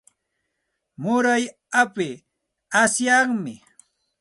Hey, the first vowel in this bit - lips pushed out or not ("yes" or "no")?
yes